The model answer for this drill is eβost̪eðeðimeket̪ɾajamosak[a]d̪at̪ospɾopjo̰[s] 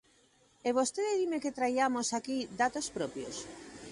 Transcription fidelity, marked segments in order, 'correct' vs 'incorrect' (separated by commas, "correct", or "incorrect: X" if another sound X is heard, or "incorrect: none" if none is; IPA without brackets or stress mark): incorrect: i, correct